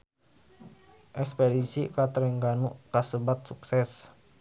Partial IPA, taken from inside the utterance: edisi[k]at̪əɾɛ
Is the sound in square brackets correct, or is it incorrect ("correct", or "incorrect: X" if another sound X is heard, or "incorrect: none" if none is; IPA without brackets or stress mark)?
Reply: correct